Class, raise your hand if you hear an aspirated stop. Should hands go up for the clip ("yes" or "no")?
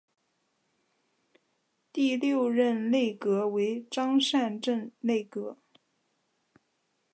no